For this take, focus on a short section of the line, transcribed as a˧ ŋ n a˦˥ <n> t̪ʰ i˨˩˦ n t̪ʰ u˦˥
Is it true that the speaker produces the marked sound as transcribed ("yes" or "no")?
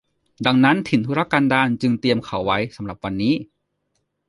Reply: yes